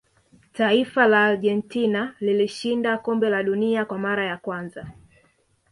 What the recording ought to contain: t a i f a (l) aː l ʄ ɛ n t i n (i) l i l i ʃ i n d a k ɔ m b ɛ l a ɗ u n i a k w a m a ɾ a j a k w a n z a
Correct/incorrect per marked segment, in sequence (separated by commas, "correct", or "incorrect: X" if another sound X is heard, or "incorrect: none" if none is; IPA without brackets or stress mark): correct, incorrect: a